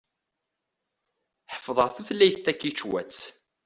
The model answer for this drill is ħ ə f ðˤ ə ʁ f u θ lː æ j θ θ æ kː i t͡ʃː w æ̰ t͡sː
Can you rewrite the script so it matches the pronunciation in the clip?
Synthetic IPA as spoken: ħ ə f ðˤ ə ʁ θ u θ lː æ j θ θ æ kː i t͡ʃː w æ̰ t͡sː